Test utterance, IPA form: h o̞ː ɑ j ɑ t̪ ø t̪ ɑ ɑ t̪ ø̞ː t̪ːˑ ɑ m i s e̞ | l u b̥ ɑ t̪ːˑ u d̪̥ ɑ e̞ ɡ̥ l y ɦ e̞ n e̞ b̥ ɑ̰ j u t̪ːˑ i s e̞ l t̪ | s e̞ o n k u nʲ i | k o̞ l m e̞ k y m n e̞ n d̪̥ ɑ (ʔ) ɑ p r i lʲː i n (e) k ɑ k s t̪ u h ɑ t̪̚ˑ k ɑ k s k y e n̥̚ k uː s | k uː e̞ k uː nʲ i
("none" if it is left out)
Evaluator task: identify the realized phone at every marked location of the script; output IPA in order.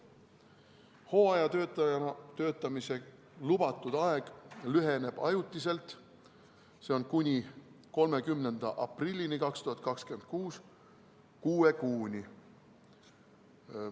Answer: ʔ, i

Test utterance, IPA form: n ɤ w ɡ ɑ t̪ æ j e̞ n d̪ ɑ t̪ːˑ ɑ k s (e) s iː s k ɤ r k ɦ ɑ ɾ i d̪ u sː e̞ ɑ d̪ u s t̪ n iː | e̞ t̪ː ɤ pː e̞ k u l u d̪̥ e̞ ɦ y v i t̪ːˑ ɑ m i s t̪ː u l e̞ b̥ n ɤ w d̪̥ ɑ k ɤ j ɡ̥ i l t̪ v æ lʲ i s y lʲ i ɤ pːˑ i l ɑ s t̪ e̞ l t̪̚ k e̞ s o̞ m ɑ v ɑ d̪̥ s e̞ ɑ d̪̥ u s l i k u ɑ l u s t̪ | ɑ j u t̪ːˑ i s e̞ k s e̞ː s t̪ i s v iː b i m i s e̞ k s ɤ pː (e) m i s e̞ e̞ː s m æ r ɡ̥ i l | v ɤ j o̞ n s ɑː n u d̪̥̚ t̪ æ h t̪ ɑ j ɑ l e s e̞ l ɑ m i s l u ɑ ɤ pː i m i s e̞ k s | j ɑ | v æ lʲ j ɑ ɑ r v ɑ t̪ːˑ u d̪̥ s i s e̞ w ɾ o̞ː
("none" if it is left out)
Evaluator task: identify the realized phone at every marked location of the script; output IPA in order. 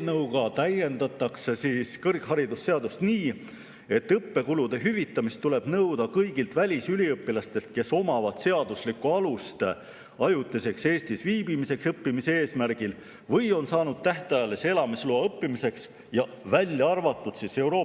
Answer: e, i

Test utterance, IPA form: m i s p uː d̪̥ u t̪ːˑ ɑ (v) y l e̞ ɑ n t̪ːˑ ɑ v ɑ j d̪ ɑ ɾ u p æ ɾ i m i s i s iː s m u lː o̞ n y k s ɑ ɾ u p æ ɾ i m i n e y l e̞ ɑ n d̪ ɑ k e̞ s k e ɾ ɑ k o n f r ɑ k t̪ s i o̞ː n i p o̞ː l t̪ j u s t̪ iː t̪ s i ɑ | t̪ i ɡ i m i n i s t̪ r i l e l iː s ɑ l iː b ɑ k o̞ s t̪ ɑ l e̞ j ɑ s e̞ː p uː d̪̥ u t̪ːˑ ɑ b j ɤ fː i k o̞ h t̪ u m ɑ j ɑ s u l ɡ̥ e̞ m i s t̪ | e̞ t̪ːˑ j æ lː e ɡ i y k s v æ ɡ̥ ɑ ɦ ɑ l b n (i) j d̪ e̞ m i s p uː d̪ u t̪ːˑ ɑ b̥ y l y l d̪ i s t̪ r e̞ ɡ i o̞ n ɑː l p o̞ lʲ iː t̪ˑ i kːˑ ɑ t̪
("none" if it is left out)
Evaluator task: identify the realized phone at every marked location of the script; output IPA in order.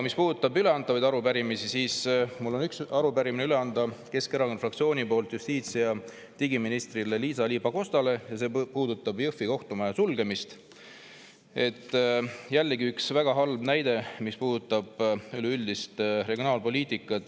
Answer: b, æ

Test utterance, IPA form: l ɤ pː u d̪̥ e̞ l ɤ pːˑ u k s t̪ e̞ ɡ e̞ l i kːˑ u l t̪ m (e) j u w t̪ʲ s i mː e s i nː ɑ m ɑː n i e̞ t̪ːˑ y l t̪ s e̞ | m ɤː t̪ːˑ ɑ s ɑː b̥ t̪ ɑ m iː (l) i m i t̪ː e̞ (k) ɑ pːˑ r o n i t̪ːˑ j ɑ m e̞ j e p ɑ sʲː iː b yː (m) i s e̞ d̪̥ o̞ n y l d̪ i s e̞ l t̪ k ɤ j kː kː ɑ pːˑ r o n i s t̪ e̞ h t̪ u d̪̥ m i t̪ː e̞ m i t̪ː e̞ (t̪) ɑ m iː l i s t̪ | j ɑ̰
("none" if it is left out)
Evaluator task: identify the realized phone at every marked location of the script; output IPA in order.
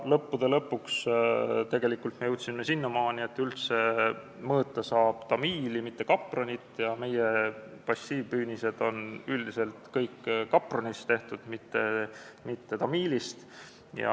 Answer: e, l, k, n, t̪

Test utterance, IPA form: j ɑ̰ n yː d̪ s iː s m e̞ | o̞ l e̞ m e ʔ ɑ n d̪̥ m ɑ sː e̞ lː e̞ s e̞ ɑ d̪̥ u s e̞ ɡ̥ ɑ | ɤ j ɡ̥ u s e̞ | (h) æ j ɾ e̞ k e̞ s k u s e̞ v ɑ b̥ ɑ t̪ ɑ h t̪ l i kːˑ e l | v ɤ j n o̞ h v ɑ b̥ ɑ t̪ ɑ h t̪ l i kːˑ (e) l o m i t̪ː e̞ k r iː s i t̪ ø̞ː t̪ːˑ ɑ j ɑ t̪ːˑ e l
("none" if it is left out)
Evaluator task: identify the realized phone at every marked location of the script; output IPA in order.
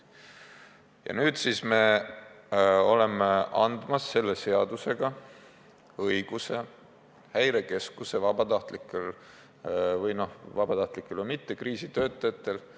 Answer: h, e

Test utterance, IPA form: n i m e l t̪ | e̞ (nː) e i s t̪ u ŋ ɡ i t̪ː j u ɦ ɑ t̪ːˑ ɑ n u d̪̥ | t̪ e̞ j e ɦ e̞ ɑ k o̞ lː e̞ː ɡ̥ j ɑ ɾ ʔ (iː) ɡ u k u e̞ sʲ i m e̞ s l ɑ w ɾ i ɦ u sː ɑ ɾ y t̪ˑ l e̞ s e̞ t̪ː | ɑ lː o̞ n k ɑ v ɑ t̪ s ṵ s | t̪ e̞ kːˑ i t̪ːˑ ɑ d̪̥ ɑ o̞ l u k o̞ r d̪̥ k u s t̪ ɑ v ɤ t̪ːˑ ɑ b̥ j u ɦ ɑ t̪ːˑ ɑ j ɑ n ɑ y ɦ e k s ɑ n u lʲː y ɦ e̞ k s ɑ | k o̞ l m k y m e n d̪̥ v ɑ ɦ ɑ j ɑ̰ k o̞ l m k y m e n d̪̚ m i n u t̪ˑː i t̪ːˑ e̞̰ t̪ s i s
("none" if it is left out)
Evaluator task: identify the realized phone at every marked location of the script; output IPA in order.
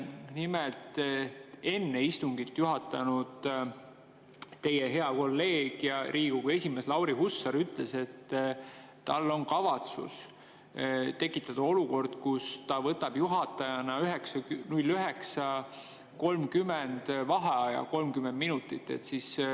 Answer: nː, iː

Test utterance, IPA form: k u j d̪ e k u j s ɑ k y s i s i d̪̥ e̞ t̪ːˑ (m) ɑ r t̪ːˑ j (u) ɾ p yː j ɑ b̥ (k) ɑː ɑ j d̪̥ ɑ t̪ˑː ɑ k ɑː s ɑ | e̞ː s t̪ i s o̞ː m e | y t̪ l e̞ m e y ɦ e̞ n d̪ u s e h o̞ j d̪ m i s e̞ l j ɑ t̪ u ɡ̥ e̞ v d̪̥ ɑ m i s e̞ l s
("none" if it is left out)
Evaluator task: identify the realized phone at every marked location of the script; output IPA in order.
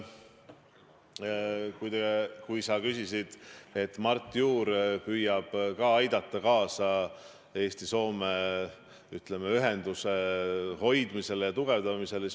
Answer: m, uː, k

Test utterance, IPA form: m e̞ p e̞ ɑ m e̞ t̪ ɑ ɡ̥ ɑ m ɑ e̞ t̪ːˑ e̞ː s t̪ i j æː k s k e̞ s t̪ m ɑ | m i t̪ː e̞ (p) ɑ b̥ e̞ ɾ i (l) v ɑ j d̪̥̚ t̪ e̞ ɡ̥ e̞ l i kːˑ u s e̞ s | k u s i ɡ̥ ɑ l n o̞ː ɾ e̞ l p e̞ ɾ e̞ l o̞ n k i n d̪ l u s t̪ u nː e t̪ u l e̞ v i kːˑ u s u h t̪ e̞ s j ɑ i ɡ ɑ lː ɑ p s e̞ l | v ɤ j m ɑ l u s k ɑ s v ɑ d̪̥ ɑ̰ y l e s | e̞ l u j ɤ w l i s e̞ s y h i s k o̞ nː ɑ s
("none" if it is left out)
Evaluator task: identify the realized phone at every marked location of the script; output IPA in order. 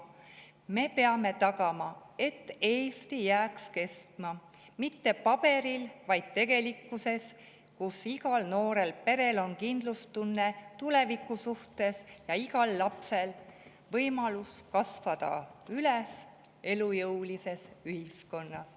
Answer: p, l

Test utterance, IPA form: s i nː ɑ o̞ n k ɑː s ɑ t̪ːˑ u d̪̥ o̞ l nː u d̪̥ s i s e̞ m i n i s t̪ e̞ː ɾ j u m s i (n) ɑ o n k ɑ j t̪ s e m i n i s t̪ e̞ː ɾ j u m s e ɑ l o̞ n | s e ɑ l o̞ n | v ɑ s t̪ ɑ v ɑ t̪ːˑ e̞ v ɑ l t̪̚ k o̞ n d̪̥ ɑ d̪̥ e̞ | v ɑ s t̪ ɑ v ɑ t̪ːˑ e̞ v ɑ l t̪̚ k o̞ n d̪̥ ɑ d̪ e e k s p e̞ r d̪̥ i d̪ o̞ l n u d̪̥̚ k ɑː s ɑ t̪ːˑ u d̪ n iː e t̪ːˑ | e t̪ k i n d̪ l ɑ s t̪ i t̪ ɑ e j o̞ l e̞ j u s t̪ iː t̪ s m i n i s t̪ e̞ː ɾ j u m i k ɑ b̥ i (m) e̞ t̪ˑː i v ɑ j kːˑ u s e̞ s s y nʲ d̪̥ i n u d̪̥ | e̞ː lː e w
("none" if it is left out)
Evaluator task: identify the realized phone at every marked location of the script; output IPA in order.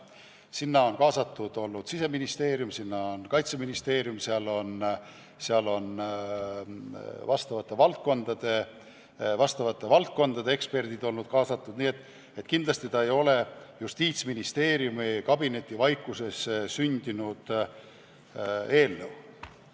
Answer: nː, n

